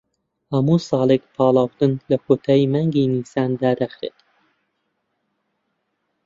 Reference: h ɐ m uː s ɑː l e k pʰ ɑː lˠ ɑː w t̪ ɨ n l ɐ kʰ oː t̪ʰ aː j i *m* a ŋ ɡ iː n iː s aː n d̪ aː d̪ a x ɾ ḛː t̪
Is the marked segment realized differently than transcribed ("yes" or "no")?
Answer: no